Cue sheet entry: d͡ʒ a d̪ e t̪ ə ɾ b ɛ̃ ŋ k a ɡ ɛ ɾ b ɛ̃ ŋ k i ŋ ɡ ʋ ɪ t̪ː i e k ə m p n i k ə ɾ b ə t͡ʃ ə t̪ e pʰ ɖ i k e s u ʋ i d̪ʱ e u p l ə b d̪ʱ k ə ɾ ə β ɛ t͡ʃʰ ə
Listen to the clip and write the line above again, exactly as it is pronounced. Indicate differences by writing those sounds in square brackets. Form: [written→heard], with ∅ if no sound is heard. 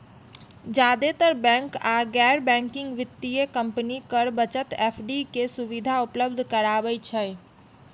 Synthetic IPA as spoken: d͡ʒ a d̪ e t̪ ə ɾ b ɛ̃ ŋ k a ɡ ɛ ɾ b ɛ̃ ŋ k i ŋ ɡ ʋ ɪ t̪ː i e k ə m p n i k ə ɾ b ə t͡ʃ ə t̪ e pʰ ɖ i k e s u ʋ i d̪ʱ [e→a] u p l ə b d̪ʱ k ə ɾ [ə→a] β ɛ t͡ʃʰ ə